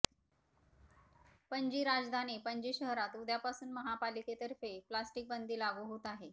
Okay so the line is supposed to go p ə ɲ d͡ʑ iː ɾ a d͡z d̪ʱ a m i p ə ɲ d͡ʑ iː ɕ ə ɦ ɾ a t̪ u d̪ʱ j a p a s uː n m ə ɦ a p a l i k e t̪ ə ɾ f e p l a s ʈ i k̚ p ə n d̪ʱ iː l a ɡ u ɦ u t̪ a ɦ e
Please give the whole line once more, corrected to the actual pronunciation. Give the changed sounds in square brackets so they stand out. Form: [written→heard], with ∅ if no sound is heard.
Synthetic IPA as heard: p ə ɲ d͡ʑ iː ɾ a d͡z d̪ʱ a [m→n] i p ə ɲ d͡ʑ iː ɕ ə ɦ ɾ a t̪ u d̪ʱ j a p a s uː n m ə ɦ a p a l i k e t̪ ə ɾ f e p l a s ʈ i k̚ [p→b] ə n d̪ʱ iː l a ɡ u ɦ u t̪ a ɦ e